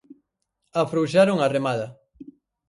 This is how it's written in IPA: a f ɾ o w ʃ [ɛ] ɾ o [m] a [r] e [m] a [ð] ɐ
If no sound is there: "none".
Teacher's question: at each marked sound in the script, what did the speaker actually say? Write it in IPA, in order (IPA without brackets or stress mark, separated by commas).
a, ŋ, r, m, ð